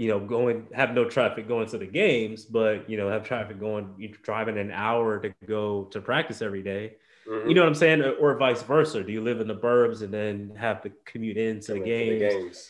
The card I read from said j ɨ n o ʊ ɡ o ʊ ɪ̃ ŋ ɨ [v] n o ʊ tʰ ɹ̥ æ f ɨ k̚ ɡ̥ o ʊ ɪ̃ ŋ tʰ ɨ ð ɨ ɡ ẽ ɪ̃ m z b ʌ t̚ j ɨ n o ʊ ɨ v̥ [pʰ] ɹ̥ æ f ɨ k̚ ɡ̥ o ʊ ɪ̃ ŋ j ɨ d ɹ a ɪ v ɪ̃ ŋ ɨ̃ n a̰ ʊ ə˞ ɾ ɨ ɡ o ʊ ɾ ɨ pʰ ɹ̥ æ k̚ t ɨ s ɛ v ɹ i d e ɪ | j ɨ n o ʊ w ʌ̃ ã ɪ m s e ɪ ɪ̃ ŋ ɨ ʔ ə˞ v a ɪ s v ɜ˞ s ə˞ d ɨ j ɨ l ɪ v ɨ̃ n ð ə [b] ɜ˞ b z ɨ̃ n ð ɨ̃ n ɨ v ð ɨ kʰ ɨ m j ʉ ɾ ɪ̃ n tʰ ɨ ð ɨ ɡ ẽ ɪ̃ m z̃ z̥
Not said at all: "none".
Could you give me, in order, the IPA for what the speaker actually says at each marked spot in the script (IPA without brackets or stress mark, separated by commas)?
v, tʰ, b